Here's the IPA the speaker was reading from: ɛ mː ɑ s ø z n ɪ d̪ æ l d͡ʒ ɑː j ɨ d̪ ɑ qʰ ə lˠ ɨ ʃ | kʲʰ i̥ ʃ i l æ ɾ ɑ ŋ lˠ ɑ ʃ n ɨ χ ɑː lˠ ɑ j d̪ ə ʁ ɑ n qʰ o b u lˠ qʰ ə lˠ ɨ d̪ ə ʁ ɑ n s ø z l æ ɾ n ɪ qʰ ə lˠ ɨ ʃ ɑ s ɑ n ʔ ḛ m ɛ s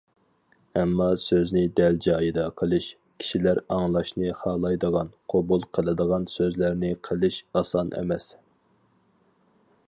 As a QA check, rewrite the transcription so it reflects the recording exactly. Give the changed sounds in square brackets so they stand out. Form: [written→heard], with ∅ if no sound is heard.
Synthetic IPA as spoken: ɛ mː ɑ s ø z n ɪ d̪ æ l d͡ʒ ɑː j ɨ d̪ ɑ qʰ ə lˠ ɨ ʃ | kʲʰ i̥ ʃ i l æ ɾ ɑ ŋ lˠ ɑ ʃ n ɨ χ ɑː lˠ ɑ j d̪ ə ʁ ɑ n qʰ o b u lˠ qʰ ə lˠ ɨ d̪ ə ʁ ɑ n s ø z l æ ɾ n ɪ qʰ ə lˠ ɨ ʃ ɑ s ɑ n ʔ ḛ m ɛ s